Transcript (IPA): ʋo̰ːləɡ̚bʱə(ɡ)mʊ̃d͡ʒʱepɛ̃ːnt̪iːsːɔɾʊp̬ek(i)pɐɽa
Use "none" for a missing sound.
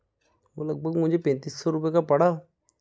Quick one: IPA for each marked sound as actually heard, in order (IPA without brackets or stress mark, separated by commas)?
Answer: ɡ, a